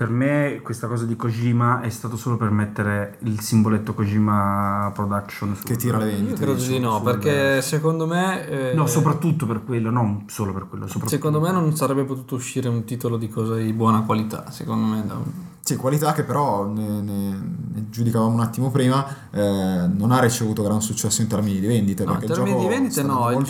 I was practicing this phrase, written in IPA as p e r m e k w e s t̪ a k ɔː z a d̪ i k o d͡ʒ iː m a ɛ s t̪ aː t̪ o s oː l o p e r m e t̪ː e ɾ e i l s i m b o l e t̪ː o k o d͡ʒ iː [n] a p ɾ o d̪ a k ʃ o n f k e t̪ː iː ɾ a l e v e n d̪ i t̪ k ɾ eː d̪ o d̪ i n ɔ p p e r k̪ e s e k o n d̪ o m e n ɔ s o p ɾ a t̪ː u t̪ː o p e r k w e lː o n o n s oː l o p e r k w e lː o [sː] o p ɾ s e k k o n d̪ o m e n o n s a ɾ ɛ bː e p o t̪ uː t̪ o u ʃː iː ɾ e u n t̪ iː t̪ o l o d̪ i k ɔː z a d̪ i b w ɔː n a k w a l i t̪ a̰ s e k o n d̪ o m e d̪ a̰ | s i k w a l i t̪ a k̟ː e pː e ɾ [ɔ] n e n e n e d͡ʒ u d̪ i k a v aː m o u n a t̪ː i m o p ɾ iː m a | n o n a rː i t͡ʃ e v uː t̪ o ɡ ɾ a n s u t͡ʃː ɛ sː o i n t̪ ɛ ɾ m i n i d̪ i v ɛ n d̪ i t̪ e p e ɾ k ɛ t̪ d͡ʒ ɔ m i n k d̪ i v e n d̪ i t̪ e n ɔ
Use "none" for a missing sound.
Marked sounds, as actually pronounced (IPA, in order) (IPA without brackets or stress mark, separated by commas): m, s, ɔ